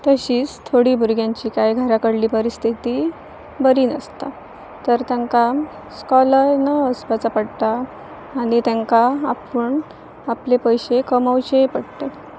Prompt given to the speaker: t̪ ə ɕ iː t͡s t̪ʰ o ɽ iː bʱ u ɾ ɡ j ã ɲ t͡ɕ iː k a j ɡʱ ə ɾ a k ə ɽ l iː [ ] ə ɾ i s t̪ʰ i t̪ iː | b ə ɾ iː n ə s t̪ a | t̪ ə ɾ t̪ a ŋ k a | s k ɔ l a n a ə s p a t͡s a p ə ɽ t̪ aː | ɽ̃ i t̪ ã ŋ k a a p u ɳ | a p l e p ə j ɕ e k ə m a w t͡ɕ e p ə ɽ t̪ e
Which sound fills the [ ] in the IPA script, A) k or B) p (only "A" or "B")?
B